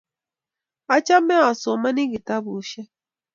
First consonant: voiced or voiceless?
voiceless